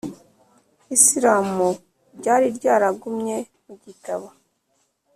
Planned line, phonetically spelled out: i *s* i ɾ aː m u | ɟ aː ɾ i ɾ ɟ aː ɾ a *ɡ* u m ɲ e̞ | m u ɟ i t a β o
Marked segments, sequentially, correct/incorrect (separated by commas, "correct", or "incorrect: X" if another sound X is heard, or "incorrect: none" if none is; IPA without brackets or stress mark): correct, correct